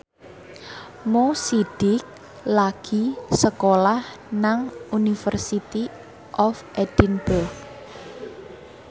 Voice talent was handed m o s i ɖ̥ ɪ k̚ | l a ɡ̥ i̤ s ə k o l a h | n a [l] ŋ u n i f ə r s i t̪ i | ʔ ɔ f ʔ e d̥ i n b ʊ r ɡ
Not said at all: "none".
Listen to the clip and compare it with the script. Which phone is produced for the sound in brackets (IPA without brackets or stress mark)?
none